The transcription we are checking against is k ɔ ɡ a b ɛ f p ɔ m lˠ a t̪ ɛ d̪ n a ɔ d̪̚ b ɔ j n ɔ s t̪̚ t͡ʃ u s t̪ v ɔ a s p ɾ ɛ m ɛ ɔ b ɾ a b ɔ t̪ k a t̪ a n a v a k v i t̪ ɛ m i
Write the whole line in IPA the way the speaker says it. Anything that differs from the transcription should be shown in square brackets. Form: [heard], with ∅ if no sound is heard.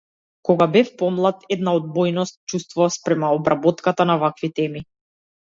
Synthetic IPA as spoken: k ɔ ɡ a b ɛ f p ɔ m lˠ a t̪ ɛ d̪ n a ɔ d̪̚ b ɔ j n ɔ s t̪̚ t͡ʃ u s t̪ v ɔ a s p ɾ ɛ m [a] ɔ b ɾ a b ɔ t̪ k a t̪ a n a v a k v i t̪ ɛ m i